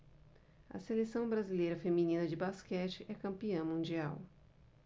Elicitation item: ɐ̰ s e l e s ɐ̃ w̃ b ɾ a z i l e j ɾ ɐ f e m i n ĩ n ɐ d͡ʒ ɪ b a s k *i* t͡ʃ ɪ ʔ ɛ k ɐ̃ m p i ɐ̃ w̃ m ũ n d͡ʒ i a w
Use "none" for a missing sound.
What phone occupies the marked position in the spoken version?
ɛ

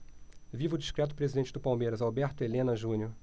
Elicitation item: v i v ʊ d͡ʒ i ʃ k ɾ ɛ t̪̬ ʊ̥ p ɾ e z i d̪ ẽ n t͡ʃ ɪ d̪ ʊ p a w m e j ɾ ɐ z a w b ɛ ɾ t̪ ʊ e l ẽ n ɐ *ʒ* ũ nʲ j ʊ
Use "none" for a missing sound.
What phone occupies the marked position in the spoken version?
ʒ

